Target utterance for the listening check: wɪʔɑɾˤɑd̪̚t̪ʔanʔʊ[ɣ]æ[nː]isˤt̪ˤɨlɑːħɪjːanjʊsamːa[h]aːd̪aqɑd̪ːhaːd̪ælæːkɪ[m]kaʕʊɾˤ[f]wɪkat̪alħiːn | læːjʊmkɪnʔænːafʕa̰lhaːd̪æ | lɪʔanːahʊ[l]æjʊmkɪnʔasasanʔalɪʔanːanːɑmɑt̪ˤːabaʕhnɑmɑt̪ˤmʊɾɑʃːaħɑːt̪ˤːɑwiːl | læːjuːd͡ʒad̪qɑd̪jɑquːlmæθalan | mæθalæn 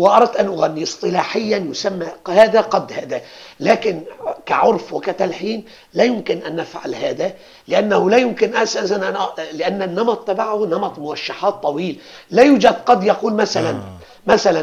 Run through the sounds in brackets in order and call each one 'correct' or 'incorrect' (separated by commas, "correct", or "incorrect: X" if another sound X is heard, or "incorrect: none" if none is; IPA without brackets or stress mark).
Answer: correct, correct, correct, incorrect: n, correct, correct